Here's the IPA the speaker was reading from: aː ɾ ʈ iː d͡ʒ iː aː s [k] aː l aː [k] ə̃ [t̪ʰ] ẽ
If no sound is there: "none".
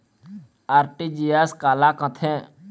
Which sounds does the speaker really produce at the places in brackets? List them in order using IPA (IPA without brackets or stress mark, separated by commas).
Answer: k, k, t̪ʰ